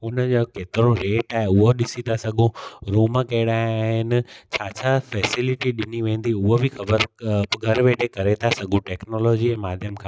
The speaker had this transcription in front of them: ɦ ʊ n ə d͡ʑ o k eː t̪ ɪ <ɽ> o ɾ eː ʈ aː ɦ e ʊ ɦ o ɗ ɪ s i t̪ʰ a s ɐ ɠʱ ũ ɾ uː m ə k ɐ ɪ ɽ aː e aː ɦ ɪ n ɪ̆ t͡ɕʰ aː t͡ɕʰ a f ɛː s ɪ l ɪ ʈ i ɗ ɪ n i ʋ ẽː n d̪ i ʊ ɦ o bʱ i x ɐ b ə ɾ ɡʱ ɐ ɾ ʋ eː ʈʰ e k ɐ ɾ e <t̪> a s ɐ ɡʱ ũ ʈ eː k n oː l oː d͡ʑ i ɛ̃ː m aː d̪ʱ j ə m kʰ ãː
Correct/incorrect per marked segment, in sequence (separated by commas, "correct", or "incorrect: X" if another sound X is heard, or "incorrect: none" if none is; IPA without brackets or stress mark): incorrect: ɾ, incorrect: t̪ʰ